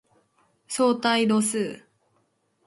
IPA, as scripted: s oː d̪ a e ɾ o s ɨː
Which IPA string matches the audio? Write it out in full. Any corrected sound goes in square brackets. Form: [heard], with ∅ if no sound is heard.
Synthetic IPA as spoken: s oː [t̪] a [i] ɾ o s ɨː